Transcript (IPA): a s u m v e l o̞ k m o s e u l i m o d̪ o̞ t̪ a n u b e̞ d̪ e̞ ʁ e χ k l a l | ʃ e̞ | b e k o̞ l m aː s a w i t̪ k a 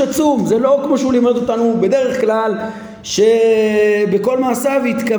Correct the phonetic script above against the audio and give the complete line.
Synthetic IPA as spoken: a t͡s u m z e l o̞ k m o ʃ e u l i m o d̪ o̞ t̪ a n u b e̞ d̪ e̞ ʁ e χ k l a l | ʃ e̞ | b e k o̞ l m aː s a v i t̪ k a